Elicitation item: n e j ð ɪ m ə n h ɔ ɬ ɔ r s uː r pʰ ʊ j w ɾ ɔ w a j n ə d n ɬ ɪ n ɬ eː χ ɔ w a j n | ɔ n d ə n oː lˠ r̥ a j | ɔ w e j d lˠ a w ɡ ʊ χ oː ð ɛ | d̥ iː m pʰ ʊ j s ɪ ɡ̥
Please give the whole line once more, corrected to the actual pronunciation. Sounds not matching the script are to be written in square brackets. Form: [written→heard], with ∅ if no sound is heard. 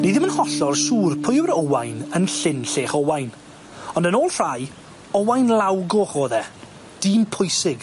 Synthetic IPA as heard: n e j ð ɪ m ə n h ɔ ɬ ɔ r s uː r pʰ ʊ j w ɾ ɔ w a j n ə [d→∅] n ɬ ɪ n ɬ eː χ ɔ w a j n | ɔ n d ə n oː lˠ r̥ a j | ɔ w [e→a] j [d→n] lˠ a w ɡ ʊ χ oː ð ɛ | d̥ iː m pʰ ʊ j s ɪ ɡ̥